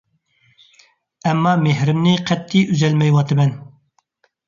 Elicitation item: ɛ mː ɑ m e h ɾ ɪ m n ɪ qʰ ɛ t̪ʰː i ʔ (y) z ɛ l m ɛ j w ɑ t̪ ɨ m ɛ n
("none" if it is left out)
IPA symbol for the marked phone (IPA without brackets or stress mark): y